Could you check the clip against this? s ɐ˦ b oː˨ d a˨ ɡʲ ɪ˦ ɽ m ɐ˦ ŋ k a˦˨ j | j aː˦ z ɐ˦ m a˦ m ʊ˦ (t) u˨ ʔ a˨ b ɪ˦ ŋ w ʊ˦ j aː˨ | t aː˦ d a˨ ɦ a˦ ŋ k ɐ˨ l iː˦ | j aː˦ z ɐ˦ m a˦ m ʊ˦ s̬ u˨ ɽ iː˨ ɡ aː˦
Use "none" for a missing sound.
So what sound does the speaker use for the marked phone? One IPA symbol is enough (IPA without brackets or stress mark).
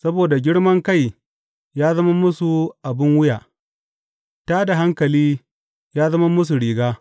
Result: s